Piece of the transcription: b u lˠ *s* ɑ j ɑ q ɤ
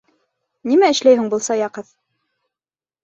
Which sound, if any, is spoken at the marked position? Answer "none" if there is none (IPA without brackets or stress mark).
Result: s